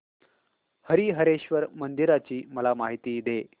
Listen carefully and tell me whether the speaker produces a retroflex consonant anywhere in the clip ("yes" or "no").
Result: no